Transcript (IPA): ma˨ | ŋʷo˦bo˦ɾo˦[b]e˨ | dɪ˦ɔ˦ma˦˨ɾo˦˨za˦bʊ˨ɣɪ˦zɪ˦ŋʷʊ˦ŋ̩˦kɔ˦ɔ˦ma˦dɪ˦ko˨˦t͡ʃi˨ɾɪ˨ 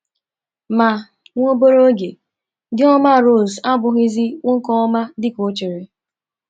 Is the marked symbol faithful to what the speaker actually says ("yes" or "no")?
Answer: no